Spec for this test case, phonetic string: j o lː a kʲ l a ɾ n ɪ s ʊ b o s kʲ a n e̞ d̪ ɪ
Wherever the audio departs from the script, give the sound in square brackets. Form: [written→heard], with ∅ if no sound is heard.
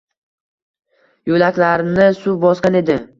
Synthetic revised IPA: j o [lː→l] a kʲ l a ɾ n ɪ s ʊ b [o→ɒ] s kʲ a n e̞ d̪ ɪ